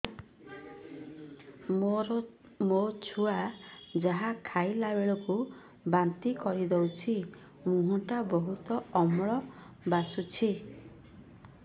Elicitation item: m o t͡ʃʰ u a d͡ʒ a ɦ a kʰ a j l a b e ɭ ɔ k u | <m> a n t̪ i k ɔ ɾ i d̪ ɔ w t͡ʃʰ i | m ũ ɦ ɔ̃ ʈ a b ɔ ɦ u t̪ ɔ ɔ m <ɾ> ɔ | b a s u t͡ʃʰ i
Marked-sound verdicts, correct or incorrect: incorrect: b, incorrect: ɭ

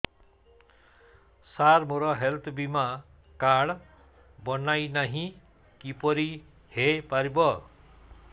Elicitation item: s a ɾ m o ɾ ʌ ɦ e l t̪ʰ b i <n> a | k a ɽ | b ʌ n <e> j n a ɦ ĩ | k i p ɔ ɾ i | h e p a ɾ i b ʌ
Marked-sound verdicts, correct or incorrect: incorrect: m, incorrect: a

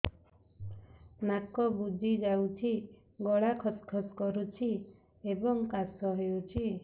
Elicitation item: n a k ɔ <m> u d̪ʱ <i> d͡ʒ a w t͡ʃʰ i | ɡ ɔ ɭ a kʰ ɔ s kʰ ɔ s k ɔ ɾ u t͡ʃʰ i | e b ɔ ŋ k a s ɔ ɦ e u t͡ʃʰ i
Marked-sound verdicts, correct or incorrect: incorrect: b, correct

